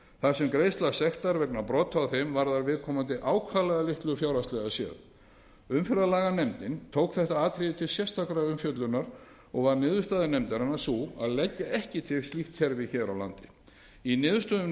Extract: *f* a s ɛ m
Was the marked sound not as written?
yes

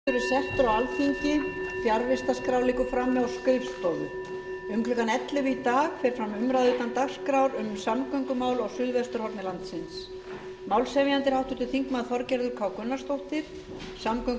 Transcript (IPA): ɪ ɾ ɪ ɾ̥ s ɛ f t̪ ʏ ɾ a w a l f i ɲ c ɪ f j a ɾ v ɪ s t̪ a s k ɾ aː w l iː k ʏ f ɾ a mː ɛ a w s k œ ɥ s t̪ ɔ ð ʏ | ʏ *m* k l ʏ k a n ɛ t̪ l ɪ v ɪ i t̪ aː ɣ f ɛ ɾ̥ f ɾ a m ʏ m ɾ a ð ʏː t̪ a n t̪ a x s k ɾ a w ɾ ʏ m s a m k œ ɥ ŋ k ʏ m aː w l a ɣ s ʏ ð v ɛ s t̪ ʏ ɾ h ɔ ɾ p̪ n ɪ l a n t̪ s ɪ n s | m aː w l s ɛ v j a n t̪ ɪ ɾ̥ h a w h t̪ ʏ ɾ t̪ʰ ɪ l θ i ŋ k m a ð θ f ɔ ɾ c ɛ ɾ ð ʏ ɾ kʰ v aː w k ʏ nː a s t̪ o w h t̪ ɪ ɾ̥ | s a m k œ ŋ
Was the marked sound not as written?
yes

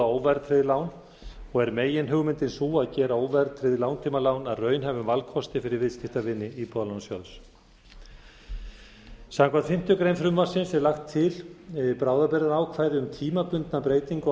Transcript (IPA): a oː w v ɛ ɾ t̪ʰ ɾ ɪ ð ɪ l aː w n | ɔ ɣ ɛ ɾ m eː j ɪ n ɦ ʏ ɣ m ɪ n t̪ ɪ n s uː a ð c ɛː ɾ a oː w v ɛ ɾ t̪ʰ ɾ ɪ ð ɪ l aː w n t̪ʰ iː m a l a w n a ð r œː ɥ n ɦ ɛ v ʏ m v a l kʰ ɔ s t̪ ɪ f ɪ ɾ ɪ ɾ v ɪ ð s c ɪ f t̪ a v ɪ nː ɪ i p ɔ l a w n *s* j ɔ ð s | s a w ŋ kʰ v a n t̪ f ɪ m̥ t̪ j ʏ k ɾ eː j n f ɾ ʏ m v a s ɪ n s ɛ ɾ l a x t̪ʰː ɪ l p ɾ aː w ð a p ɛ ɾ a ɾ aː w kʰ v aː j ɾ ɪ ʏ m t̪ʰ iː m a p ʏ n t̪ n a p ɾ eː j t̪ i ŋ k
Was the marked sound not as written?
no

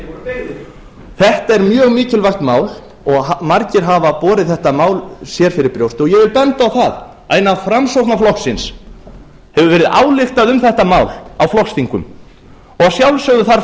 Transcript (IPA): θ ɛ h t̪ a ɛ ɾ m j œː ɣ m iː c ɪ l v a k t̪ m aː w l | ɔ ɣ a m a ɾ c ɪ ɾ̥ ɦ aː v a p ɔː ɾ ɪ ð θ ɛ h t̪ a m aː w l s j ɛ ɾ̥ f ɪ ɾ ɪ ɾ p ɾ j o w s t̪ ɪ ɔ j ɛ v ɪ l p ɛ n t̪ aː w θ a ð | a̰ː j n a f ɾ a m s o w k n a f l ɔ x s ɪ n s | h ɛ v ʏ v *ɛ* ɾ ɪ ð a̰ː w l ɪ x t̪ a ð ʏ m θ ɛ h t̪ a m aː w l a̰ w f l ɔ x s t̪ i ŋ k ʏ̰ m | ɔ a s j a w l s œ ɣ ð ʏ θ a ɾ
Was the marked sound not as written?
yes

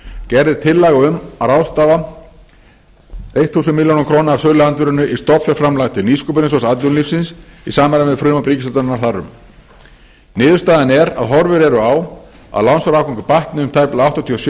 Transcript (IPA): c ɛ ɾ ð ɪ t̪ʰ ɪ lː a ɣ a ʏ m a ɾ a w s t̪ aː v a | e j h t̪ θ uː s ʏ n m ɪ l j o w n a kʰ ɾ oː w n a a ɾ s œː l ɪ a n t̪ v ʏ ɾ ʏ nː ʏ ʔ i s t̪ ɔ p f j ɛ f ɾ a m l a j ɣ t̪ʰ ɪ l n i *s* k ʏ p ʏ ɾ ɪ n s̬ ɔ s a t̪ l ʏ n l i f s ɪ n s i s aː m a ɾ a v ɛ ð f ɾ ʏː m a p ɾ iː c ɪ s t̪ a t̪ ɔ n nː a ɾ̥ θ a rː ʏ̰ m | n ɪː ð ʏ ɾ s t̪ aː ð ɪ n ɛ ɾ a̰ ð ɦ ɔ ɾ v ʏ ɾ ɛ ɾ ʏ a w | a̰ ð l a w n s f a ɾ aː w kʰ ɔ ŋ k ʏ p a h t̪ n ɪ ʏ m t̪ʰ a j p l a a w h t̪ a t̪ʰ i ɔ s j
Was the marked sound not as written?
no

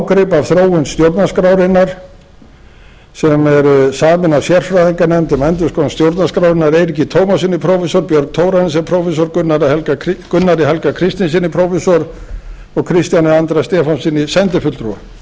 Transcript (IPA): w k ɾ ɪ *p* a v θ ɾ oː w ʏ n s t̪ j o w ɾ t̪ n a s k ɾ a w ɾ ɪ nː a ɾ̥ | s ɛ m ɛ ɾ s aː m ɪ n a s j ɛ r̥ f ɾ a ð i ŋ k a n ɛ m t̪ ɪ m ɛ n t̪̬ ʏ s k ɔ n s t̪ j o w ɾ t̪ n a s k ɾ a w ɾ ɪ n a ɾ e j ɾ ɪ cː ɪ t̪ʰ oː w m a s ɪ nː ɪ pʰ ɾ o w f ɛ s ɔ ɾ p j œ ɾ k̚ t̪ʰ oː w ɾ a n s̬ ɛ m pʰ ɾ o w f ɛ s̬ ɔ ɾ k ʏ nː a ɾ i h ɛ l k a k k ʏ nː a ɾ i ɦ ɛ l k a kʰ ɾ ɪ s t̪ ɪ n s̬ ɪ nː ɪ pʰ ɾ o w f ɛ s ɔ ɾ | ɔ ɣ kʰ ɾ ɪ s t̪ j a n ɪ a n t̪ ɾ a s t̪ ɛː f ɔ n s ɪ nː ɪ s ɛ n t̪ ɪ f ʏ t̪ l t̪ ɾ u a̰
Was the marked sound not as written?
no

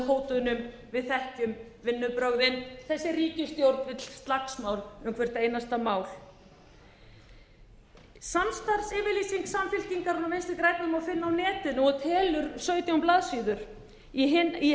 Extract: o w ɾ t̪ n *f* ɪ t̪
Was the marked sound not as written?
yes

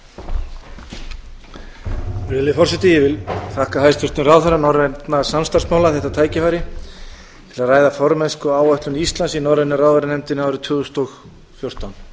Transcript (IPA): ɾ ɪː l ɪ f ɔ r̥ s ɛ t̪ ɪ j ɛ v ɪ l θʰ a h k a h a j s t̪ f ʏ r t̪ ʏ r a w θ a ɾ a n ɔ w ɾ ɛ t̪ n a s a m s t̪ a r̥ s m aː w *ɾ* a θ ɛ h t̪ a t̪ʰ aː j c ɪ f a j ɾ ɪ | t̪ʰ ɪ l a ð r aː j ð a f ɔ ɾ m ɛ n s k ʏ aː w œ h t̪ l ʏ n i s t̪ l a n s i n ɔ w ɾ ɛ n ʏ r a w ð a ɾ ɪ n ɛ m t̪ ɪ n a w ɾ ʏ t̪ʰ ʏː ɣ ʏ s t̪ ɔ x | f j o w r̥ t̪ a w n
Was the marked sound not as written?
yes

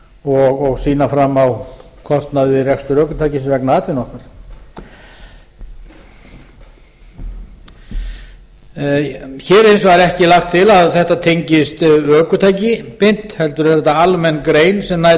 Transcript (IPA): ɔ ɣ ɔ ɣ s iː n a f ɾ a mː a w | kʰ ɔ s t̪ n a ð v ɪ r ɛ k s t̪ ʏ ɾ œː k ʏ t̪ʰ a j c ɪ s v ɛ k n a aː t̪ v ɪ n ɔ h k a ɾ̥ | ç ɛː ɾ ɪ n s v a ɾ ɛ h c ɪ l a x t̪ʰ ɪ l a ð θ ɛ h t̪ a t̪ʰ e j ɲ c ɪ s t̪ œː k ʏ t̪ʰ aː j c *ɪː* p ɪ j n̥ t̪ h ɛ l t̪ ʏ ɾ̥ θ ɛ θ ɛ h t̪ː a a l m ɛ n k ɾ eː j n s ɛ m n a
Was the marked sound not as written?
yes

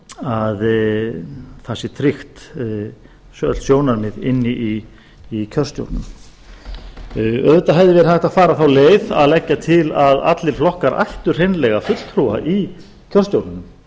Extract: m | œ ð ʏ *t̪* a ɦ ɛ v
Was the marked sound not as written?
no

